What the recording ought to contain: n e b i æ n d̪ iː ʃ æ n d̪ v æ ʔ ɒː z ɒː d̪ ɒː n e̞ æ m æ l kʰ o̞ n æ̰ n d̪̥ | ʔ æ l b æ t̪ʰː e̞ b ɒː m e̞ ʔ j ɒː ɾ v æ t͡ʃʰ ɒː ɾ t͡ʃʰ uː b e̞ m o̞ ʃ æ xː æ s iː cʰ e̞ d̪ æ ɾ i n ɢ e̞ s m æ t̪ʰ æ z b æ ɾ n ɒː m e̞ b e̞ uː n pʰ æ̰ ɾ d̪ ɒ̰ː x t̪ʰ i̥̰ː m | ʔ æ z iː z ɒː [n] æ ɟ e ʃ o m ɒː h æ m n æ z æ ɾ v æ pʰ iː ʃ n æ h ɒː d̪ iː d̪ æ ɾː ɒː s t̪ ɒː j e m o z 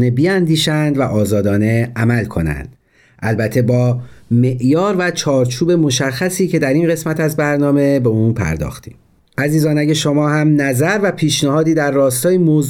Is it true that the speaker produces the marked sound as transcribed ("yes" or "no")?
yes